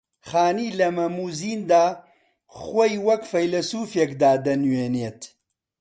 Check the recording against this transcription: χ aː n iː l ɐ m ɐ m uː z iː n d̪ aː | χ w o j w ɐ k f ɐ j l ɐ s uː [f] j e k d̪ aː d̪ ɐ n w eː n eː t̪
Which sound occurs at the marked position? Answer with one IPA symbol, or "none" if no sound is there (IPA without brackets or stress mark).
f